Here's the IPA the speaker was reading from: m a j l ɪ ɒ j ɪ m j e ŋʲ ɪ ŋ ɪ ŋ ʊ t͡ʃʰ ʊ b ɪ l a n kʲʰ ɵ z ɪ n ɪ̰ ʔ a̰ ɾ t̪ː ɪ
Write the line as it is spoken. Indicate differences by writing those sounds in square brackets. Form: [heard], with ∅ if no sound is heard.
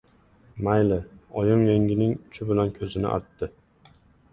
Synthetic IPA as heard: m a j l ɪ ɒ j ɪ m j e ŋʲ ɪ [n] ɪ ŋ ʊ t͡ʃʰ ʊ b ɪ l a n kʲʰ ɵ z ɪ n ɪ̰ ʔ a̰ ɾ t̪ː ɪ